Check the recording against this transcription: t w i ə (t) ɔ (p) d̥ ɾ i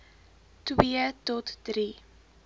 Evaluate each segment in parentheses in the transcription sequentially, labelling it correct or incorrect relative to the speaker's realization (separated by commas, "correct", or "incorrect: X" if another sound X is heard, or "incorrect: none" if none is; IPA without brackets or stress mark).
correct, incorrect: t